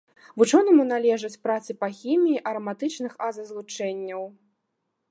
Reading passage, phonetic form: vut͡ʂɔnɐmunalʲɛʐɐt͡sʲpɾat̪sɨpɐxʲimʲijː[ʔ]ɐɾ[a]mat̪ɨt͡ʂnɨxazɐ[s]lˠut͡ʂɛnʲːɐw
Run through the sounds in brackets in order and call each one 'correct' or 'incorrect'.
correct, incorrect: ɐ, incorrect: z

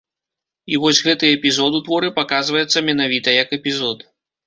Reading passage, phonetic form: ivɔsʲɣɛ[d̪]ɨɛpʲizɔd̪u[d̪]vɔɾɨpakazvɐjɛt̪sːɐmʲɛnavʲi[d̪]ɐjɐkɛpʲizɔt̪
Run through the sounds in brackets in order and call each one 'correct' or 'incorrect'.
incorrect: t̪, incorrect: t̪, incorrect: t̪

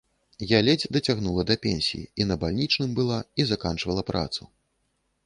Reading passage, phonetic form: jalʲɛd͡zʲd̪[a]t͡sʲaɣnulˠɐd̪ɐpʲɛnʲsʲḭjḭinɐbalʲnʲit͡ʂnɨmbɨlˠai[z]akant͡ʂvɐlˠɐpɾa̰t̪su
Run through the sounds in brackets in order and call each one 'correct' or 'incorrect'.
incorrect: ɐ, correct

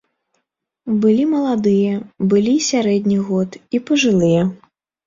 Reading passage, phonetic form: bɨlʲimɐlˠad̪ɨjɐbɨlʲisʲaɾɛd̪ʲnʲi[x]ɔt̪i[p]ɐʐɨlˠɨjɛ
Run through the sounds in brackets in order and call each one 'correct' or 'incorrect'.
incorrect: ɣ, correct

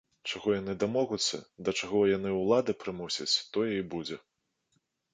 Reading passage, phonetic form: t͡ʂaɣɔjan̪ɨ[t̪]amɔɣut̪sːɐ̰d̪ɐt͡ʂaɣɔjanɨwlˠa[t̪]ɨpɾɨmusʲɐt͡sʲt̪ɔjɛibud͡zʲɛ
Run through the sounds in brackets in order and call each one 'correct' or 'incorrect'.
incorrect: d̪, incorrect: d̪

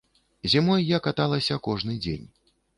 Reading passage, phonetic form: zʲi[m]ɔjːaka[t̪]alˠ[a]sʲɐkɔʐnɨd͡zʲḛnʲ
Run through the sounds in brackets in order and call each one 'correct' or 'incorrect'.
correct, correct, incorrect: ɐ

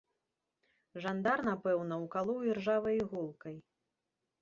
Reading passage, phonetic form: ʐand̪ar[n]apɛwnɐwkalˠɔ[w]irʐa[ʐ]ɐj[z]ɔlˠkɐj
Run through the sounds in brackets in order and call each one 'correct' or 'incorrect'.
correct, correct, incorrect: v, incorrect: ɣ

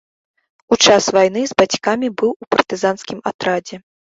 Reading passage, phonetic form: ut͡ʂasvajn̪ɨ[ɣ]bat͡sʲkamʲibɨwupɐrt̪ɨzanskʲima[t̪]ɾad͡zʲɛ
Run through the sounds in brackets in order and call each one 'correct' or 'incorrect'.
incorrect: z, correct

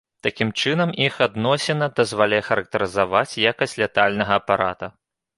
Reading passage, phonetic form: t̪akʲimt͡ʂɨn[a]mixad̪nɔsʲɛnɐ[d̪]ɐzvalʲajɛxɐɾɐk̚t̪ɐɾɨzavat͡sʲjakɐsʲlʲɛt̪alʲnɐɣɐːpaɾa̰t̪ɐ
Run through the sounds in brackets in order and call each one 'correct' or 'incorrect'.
incorrect: ɐ, correct

